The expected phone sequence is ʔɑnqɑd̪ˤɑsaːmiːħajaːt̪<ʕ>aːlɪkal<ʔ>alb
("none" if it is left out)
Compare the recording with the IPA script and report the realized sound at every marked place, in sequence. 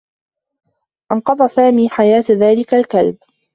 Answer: ð, k

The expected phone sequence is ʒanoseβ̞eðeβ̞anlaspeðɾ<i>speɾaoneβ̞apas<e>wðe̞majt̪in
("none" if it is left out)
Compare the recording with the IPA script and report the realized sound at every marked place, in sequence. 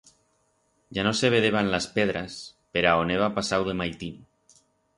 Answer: a, a

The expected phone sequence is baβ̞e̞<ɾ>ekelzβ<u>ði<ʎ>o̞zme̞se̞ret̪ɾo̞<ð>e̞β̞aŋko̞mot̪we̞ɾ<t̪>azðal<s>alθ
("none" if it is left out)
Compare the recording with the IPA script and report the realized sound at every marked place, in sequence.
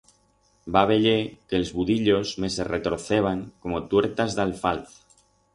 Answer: ʎ, u, ʎ, θ, t̪, f

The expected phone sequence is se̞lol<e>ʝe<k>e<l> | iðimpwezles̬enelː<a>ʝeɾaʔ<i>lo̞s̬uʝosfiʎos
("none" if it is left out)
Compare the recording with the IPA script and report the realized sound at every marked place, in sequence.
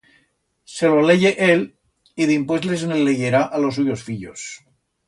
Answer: e, ʔ, l, e, a

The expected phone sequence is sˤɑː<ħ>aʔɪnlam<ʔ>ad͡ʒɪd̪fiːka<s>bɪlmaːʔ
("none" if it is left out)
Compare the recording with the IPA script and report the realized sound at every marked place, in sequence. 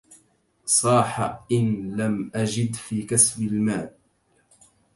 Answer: ħ, ʔ, s

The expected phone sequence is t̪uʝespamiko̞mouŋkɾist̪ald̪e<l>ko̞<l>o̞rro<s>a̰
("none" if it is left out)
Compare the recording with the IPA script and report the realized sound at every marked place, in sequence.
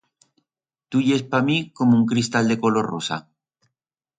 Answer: none, l, s

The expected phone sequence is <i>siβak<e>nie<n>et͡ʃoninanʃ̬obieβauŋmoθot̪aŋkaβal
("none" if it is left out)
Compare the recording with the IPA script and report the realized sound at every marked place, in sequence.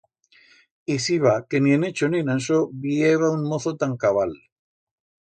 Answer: i, e, n

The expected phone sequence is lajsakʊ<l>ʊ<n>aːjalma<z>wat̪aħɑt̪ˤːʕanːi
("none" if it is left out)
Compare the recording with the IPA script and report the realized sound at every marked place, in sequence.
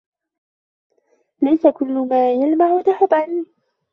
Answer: lː, m, ʕ

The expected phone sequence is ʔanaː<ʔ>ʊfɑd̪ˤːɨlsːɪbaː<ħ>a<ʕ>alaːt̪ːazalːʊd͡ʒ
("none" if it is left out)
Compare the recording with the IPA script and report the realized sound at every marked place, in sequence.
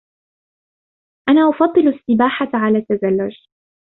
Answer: ʔ, ħ, ʕ

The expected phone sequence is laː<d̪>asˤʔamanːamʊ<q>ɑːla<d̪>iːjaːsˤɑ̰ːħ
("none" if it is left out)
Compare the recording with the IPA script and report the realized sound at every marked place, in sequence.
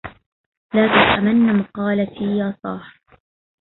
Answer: t̪, q, t̪

